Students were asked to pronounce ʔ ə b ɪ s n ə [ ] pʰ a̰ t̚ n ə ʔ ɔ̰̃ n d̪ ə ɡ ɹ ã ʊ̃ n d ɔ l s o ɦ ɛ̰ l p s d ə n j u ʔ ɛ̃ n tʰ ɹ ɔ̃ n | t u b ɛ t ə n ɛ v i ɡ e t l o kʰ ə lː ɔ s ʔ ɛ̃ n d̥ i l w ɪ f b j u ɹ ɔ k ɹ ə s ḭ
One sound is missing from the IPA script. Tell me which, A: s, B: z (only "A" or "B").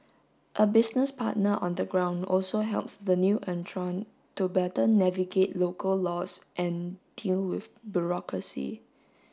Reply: A